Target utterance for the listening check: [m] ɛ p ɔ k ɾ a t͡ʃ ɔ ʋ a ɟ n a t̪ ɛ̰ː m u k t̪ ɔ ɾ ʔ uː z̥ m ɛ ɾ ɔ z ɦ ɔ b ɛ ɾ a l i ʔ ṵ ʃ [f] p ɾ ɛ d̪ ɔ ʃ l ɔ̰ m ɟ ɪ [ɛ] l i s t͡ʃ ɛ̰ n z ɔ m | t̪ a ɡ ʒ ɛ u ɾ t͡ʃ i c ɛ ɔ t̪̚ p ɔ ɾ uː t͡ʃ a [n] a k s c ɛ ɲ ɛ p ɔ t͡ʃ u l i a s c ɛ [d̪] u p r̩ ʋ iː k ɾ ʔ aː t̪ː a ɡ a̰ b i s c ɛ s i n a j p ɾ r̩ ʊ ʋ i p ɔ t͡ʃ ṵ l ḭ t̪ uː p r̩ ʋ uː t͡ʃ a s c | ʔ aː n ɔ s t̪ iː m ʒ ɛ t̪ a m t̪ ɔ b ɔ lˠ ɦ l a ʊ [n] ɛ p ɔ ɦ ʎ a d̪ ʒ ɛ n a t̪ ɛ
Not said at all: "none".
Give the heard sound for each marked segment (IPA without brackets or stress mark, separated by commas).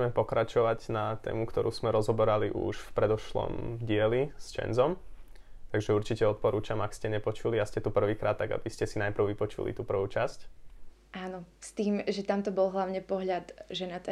m, f, ɛ, m, t̪, ɲ